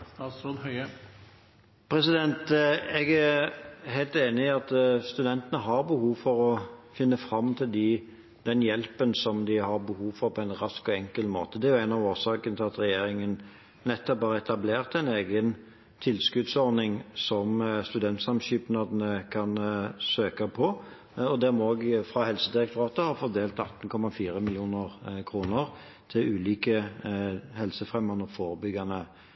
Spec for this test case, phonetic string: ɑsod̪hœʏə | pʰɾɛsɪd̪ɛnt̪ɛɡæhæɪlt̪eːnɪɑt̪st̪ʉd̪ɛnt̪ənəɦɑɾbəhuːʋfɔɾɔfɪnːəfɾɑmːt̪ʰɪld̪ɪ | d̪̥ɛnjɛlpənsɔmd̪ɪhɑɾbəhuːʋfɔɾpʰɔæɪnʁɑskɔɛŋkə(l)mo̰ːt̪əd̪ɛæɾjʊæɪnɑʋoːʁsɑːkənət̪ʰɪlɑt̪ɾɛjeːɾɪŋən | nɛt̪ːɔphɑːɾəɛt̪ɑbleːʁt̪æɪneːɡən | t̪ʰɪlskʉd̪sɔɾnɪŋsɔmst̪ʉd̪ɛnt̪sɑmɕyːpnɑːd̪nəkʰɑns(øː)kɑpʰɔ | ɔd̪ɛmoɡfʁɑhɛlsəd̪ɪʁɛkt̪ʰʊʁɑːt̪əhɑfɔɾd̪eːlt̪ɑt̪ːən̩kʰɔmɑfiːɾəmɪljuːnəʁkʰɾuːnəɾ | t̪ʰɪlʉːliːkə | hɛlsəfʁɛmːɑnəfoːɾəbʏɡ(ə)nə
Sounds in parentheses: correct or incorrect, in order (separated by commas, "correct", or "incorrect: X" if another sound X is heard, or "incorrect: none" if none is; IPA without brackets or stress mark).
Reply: correct, correct, incorrect: ɑ